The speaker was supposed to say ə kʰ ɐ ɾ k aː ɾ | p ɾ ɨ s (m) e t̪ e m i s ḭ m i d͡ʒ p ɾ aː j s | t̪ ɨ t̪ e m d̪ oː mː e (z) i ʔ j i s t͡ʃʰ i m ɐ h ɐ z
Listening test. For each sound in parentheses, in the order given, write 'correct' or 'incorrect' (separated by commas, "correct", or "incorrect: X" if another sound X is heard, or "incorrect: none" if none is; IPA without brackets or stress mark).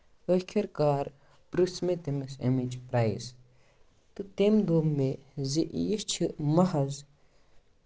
correct, correct